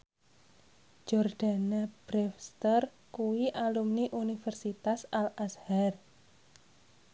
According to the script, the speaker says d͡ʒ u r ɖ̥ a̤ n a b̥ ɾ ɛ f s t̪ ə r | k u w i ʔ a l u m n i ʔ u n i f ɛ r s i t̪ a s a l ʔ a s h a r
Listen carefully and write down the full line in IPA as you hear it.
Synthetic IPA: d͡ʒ ɔ r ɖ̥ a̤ n a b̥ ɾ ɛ f s t̪ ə r | k u w i ʔ a l u m n i ʔ u n i f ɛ r s i t̪ a s a l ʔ a s h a r